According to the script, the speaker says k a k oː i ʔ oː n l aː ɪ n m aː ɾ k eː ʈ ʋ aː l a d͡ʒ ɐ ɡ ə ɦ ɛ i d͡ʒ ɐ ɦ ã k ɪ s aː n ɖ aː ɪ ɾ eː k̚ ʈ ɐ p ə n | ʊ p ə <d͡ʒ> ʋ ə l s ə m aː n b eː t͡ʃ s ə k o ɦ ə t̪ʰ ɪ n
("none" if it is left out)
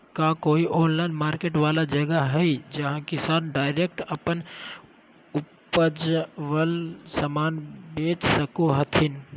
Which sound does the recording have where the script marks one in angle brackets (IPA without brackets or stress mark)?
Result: d͡ʒ